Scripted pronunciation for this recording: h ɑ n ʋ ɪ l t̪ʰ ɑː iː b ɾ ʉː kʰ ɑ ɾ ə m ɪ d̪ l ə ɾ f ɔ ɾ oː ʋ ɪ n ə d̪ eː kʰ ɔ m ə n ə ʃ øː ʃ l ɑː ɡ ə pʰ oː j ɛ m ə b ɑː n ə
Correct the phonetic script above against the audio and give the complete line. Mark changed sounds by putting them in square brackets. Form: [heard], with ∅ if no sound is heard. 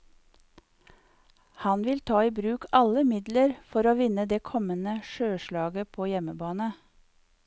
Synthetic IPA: h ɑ n ʋ ɪ l t̪ʰ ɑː iː b ɾ ʉː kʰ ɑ [l] ə m ɪ d̪ l ə ɾ f ɔ ɾ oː ʋ ɪ n ə d̪ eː kʰ ɔ m ə n ə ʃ øː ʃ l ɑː ɡ ə pʰ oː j ɛ m ə b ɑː n ə